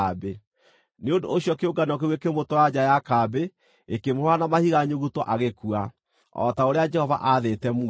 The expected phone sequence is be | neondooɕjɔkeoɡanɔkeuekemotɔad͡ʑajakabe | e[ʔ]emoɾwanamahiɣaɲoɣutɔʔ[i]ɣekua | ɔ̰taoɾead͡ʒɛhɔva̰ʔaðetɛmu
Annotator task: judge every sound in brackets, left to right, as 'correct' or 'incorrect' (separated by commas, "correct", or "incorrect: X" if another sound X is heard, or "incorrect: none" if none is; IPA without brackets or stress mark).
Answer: incorrect: k, incorrect: a